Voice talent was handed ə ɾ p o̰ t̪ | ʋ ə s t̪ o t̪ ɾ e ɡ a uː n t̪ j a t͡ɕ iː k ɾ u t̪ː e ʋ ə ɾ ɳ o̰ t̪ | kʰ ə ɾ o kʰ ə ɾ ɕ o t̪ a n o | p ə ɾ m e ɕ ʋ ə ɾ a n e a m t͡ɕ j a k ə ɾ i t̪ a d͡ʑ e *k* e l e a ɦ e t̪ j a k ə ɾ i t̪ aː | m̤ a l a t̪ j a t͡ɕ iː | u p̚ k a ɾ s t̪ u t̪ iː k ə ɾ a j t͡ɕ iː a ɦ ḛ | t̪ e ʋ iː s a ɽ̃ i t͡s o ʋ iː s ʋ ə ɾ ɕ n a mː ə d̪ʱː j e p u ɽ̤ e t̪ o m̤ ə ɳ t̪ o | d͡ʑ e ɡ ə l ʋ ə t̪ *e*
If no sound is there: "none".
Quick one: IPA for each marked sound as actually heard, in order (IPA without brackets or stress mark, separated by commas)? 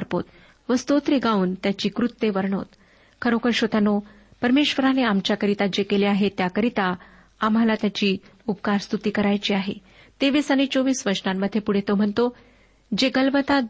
k, a